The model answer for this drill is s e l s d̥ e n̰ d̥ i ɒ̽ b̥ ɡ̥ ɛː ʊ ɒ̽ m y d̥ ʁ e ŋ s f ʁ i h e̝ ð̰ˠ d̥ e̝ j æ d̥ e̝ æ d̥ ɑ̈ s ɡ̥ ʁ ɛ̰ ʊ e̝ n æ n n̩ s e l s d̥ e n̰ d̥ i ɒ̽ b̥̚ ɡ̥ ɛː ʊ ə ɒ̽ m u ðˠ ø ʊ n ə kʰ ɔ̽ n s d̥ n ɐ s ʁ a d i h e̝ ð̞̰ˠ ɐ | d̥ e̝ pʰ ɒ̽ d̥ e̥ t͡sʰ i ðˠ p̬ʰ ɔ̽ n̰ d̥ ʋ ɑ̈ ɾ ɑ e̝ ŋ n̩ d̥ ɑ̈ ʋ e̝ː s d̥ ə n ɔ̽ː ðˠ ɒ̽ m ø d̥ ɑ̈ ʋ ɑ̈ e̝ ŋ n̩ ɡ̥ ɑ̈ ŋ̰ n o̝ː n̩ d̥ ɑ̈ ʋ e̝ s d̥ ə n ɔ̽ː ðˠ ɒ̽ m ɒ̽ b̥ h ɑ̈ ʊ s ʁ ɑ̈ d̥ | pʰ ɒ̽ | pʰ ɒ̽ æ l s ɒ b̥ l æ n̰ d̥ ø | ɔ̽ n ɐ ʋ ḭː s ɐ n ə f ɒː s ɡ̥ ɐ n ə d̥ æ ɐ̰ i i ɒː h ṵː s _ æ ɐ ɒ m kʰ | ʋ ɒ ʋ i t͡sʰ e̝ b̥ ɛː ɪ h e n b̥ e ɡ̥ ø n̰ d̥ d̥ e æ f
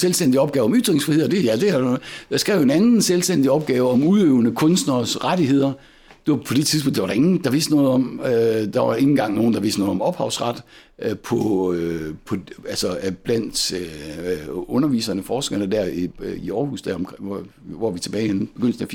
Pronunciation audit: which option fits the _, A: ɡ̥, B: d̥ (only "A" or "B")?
B